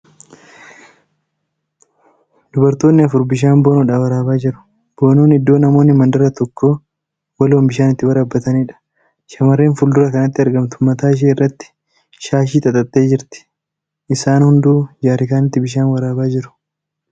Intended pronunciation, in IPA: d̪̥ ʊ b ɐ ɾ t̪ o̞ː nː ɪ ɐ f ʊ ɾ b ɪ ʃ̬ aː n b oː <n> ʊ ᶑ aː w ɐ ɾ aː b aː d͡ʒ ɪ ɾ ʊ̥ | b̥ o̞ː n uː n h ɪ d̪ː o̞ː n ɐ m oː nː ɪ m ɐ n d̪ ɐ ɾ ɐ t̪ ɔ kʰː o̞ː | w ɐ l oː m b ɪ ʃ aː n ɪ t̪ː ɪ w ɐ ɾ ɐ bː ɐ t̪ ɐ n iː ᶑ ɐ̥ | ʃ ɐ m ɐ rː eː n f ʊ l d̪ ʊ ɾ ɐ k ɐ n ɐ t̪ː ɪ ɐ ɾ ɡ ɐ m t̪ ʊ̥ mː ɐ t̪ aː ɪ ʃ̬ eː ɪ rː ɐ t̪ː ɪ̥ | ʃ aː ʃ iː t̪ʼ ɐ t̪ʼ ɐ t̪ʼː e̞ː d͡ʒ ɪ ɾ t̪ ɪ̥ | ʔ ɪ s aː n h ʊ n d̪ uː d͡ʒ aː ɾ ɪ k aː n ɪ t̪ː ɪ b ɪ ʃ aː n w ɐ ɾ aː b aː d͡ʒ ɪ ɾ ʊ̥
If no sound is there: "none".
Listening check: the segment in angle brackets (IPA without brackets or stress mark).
n